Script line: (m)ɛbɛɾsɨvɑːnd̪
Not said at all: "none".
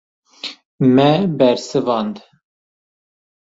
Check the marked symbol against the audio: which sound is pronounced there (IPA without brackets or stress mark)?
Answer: m